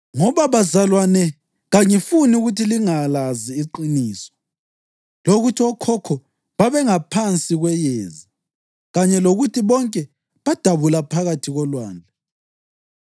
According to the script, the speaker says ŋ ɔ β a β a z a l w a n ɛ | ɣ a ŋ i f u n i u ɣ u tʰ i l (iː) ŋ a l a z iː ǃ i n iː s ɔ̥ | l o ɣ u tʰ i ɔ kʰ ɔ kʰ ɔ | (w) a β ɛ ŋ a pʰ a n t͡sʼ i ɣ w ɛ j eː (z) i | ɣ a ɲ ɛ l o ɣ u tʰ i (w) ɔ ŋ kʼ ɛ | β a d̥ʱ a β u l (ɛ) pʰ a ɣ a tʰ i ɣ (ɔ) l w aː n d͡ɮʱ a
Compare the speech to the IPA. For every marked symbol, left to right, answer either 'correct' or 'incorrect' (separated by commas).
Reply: incorrect, incorrect, correct, incorrect, incorrect, correct